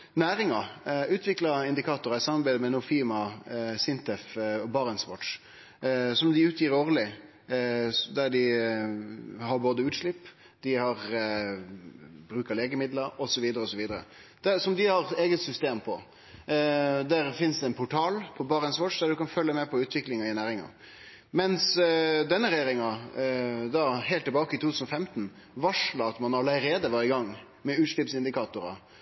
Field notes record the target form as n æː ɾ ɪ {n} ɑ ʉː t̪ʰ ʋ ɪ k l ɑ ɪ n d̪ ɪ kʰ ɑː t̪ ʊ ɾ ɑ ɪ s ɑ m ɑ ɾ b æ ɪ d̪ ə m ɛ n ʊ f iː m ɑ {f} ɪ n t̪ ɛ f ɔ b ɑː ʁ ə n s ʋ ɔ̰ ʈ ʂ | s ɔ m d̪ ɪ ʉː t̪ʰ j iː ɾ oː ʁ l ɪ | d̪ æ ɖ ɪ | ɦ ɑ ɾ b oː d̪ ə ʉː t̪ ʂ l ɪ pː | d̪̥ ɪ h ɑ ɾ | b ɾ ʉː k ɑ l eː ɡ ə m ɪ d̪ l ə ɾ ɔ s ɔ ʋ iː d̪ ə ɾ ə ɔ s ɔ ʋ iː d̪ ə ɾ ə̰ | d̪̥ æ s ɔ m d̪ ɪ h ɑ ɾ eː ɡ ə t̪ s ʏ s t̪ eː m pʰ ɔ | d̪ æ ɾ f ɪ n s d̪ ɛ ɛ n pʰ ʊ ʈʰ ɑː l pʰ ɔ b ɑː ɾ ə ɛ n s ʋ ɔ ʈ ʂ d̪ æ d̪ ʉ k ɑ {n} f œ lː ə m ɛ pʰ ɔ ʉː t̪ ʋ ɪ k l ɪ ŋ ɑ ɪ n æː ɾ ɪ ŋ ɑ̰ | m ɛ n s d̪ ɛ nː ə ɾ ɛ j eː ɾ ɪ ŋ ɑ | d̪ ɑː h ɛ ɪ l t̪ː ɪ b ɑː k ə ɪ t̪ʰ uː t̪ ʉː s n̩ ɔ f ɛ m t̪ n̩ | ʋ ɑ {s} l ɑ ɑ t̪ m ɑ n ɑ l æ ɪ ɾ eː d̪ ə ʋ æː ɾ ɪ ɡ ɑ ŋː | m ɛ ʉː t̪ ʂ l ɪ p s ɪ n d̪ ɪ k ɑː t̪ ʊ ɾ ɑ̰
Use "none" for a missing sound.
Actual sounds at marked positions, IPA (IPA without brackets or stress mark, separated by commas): ŋ, s, n, ʂ